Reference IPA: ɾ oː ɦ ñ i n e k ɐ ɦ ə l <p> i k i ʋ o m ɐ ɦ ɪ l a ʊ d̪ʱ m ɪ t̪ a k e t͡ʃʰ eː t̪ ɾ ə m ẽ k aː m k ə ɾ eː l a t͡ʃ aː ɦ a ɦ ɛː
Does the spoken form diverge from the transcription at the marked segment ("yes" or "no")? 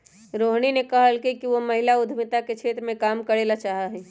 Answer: yes